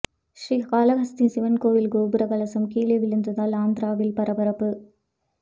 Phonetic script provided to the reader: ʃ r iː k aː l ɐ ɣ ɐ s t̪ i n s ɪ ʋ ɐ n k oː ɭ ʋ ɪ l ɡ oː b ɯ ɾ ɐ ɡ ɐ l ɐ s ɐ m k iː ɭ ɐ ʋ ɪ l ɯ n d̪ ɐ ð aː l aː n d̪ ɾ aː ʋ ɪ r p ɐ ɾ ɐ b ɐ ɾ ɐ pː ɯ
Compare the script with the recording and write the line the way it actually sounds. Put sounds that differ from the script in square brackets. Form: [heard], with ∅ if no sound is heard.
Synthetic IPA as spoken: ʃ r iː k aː l ɐ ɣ ɐ s t̪ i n s ɪ ʋ ɐ n k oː [∅] ʋ ɪ l ɡ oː b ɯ ɾ ɐ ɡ ɐ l ɐ s ɐ m k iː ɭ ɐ ʋ ɪ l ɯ n d̪ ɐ ð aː l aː n d̪ ɾ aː ʋ ɪ [l] p ɐ ɾ ɐ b ɐ ɾ ɐ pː ɯ